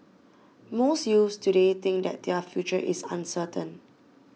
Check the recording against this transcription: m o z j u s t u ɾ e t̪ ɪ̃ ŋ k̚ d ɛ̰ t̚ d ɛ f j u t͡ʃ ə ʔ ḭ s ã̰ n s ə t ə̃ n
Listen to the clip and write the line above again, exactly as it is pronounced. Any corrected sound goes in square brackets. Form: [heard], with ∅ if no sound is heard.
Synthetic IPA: m o [s] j u s t u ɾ e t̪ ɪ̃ ŋ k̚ d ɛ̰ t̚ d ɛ f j u t͡ʃ ə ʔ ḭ s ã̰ n s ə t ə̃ n